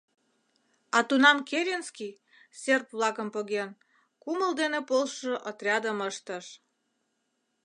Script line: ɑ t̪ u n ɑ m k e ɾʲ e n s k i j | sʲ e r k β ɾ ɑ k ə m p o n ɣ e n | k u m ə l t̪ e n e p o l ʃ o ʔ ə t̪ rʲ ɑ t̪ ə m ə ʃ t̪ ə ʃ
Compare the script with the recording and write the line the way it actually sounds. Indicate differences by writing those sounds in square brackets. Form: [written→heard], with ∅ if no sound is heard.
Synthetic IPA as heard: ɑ t̪ u n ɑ m k e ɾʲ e n s k i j | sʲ e r [k→p] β [ɾ→l] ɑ k ə m p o [n→∅] ɣ e n | k u m ə l [t̪→d̪] e n e p o l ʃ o ʔ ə t̪ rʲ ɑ [t̪→d̪] ə m ə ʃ t̪ ə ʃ